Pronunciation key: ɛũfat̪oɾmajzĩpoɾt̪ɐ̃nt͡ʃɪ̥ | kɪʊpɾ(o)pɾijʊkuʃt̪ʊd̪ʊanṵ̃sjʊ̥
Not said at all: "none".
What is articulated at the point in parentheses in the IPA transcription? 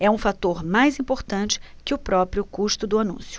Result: ɔ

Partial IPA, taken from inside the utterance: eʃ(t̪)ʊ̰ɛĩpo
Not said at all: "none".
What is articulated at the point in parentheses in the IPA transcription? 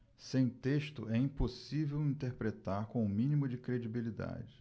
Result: t̪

